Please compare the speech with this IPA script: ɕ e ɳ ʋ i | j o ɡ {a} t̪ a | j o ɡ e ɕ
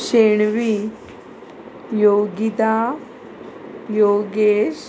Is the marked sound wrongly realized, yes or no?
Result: yes